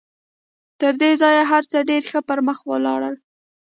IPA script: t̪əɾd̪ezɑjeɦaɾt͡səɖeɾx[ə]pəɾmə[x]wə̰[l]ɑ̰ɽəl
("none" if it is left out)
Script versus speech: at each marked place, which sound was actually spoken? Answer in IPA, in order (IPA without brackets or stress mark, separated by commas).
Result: ə, x, l